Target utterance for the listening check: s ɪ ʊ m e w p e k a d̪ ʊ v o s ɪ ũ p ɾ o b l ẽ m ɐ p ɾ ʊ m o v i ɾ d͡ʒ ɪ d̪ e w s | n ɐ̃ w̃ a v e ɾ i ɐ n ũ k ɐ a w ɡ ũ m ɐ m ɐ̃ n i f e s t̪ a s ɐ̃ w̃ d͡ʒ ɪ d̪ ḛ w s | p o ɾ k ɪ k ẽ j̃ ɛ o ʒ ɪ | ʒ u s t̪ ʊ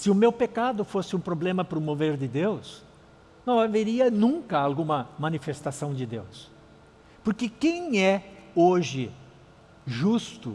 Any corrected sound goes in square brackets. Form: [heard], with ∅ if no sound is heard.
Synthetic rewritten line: s ɪ ʊ m e w p e k a d̪ ʊ [f] o s ɪ ũ p ɾ o b l ẽ m ɐ p ɾ ʊ m o v [e] ɾ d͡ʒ ɪ d̪ e w s | n ɐ̃ w̃ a v e ɾ i ɐ n ũ k ɐ a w ɡ ũ m ɐ m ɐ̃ n i f e s t̪ a s ɐ̃ w̃ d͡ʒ ɪ d̪ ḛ w s | p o ɾ k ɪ k ẽ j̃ ɛ o ʒ ɪ | ʒ u s t̪ ʊ